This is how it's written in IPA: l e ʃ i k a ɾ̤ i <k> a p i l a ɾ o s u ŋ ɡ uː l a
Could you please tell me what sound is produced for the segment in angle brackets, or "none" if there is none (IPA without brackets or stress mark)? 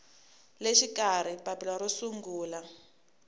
p